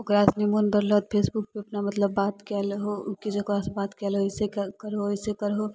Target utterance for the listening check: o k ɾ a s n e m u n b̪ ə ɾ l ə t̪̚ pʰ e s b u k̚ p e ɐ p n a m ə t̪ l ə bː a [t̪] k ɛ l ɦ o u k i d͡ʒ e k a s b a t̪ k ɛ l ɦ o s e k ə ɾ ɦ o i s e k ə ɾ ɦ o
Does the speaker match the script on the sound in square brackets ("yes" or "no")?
yes